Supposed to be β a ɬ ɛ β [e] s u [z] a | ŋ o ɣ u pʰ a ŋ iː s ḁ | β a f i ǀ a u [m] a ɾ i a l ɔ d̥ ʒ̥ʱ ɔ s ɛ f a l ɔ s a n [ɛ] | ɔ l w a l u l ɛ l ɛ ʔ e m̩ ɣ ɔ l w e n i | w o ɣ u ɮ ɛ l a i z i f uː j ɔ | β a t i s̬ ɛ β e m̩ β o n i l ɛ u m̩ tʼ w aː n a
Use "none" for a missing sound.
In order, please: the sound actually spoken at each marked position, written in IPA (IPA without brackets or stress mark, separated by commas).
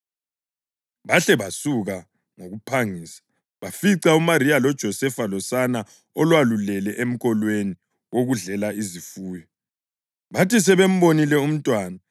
a, ɣ, m, a